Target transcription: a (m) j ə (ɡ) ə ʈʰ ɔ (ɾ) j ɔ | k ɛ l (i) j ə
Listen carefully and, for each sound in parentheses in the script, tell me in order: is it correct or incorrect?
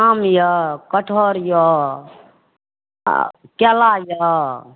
correct, incorrect: k, correct, incorrect: a

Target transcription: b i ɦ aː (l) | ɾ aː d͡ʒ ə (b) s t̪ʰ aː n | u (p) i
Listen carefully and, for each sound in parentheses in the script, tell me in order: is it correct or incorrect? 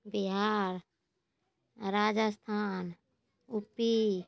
incorrect: ɾ, incorrect: none, correct

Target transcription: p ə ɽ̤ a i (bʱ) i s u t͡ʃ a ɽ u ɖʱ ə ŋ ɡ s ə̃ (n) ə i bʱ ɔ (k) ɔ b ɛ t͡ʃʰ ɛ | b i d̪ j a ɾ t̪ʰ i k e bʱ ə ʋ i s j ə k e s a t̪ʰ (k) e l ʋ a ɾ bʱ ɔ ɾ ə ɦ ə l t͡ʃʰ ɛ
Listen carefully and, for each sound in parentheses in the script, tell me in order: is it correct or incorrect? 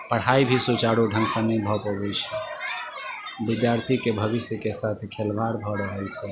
correct, correct, incorrect: p, incorrect: kʰ

